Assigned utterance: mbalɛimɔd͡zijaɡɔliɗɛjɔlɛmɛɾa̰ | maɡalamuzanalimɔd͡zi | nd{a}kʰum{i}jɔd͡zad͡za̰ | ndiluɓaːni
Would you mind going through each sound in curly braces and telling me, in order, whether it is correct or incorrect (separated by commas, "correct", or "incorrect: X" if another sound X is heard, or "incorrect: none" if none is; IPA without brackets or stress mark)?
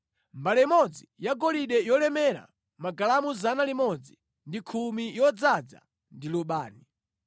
incorrect: i, correct